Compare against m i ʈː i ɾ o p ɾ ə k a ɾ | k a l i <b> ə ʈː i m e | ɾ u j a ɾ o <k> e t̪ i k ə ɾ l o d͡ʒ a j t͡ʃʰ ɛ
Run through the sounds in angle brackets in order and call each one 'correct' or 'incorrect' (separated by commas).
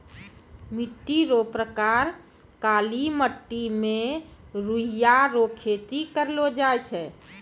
incorrect, incorrect